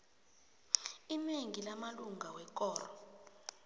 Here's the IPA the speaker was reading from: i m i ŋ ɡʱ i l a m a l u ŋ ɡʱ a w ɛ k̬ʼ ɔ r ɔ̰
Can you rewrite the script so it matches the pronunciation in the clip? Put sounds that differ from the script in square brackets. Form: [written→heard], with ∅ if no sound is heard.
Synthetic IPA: i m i ŋ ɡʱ i l a m a l u ŋ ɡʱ a w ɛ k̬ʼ [ɔ→ɔː] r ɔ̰